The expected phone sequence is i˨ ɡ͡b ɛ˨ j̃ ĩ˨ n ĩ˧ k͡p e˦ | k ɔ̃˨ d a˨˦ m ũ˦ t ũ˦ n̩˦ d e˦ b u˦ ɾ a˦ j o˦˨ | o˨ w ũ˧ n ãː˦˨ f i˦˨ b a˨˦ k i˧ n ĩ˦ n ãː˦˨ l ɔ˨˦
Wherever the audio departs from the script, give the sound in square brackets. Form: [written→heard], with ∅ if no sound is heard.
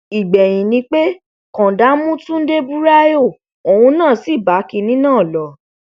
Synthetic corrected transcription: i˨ ɡ͡b ɛ˨ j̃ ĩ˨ n ĩ˧ k͡p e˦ | k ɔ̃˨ d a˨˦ m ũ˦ t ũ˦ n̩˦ d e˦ b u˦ ɾ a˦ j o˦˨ | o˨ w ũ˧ n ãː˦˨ [f→s] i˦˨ b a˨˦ k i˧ n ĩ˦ n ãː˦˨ l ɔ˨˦